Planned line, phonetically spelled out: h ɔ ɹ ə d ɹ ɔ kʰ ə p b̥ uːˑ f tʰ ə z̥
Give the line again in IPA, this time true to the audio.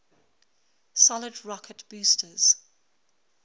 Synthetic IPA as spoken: s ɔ l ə d ɹ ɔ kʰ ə t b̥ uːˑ s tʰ ə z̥